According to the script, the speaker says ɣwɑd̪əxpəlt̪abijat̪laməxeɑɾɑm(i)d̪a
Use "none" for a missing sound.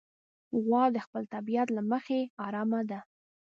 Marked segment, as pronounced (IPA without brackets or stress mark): a